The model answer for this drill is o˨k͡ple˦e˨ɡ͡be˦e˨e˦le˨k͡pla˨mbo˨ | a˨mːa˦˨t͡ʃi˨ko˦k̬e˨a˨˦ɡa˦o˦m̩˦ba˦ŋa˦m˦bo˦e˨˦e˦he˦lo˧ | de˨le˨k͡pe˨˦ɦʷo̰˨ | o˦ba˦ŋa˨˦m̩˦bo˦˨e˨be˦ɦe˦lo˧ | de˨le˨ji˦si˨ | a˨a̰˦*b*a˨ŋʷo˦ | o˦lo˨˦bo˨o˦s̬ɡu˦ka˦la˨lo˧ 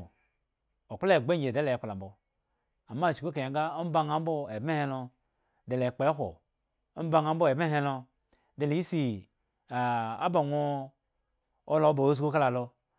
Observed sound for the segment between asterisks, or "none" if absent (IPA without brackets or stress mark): b